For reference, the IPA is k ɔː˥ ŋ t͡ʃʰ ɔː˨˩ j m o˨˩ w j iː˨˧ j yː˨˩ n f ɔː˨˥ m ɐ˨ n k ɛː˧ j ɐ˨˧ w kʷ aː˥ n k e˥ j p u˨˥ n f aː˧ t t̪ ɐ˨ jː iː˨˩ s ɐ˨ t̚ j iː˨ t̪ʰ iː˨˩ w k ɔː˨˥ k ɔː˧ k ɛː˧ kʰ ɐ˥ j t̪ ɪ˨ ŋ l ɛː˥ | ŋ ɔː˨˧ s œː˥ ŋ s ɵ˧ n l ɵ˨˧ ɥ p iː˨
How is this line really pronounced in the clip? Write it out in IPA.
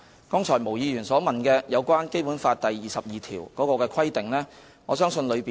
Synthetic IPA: k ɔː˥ ŋ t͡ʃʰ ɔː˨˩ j m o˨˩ w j iː˨˧ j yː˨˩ n s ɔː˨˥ m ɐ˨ n k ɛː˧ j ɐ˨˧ w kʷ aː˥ n k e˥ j p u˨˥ n f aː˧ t t̪ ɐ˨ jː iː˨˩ s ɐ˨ p̚ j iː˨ t̪ʰ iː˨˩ w k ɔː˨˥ k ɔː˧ k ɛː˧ kʰ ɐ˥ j t̪ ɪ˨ ŋ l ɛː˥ | ŋ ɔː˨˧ s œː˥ ŋ s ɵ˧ n l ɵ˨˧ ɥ p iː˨

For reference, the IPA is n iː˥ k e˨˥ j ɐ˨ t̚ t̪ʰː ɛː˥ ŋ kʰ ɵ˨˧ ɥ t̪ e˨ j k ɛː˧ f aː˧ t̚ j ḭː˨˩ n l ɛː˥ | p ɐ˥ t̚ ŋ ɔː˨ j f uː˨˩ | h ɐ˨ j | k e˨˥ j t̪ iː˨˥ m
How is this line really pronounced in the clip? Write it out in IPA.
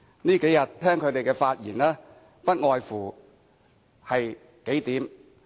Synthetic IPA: n iː˥ k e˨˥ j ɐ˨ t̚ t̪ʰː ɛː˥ ŋ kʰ ɵ˨˧ ɥ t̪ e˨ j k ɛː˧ f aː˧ t̚ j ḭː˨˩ n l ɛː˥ | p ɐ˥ t̚ ŋ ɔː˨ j f uː˨˩ | h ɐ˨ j | k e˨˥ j t̪ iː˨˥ m

